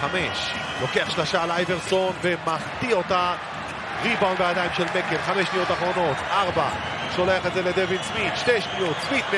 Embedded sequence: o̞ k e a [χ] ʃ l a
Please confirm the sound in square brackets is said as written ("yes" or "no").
yes